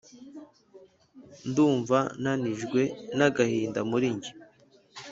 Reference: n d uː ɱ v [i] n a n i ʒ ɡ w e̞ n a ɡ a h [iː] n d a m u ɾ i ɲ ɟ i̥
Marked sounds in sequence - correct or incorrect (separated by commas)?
incorrect, correct